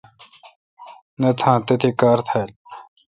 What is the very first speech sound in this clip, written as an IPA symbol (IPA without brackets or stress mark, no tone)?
n